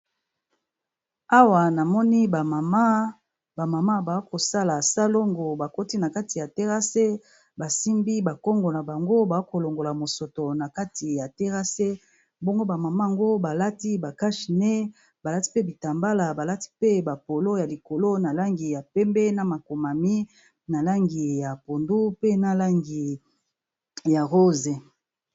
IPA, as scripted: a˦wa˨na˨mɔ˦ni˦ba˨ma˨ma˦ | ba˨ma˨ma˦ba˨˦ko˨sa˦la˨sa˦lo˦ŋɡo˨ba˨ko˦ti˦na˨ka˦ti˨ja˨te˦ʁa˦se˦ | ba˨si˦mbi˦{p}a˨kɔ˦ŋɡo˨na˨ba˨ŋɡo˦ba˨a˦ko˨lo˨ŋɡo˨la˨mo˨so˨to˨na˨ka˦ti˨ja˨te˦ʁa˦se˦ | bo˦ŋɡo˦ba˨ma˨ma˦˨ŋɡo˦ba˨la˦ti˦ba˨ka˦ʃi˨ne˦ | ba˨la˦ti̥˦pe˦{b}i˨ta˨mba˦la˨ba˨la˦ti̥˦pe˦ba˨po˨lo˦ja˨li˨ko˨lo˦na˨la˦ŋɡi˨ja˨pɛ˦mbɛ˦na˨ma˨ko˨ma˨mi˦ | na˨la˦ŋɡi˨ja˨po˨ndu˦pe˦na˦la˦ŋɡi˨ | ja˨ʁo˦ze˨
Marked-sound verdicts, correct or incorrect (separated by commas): incorrect, correct